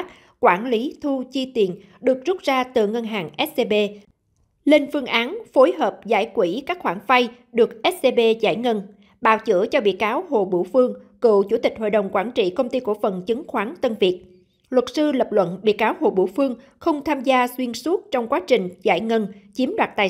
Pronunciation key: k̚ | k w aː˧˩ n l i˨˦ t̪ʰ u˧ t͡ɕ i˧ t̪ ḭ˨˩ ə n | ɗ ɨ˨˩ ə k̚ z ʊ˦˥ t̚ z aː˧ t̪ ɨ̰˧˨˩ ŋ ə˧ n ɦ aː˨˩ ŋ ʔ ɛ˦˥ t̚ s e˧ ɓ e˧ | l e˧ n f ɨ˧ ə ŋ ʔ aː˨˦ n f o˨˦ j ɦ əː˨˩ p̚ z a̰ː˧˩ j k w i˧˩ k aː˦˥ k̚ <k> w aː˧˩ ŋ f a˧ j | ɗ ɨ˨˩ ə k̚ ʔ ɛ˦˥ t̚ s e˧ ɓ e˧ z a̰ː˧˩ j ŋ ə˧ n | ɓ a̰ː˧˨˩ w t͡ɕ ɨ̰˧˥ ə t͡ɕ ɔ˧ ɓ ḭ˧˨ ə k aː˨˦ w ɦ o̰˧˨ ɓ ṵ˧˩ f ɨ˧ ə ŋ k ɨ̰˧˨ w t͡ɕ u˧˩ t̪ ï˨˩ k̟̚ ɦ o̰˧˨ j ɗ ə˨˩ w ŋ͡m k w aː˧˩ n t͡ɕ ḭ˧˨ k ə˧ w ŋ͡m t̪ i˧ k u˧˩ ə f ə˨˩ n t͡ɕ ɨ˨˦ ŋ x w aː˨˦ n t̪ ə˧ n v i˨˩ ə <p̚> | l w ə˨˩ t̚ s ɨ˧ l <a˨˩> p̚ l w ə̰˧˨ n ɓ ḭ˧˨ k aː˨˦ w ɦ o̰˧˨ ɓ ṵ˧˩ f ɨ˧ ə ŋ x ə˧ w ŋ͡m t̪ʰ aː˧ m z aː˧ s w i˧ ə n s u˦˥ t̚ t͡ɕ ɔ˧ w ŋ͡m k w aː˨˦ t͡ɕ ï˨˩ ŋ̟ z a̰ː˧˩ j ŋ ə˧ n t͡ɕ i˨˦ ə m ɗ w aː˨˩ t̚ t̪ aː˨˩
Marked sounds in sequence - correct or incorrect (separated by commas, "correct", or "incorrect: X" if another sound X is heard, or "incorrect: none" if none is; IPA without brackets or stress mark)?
incorrect: x, incorrect: t̚, incorrect: ə˨˩